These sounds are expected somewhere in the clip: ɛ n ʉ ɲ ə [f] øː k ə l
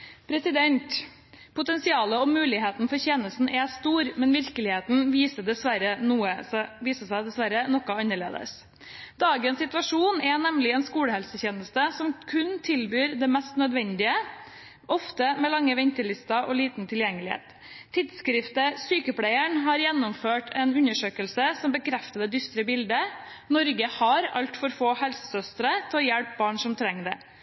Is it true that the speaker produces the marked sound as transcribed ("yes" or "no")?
no